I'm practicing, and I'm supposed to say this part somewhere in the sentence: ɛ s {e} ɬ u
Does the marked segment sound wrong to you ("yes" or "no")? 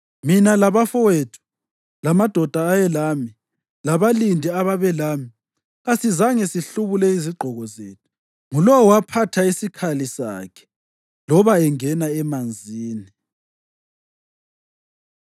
yes